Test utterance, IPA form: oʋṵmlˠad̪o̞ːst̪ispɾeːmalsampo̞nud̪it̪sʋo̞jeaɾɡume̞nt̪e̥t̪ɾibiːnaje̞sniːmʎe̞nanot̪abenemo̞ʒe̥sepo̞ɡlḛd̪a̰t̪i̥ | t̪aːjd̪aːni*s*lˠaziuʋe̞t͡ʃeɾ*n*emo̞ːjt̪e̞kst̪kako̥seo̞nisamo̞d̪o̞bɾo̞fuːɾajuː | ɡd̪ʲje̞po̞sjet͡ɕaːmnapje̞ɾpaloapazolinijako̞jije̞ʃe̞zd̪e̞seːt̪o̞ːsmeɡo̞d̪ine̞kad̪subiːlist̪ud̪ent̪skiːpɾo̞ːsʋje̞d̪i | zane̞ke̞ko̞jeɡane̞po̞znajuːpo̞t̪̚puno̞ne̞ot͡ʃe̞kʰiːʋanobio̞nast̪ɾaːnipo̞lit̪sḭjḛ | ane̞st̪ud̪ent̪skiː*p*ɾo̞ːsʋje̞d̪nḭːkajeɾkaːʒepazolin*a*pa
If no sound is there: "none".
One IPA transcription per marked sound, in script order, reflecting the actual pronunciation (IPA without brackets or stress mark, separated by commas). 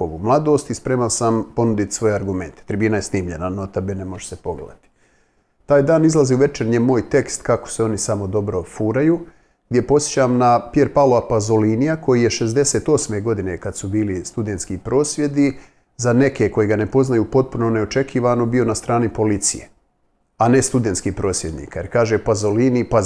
z, ɲ, p, i